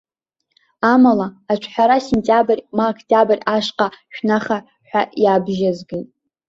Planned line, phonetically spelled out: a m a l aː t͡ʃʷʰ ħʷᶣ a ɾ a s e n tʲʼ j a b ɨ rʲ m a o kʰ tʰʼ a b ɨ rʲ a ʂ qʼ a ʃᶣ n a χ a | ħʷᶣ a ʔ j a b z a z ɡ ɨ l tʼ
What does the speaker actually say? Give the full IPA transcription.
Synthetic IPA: a m a l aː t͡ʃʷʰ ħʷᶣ a ɾ a s e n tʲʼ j a b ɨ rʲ m a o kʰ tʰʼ a b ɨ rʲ a ʂ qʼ a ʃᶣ n a χ a | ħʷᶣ a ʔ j a b ʒ a z ɡ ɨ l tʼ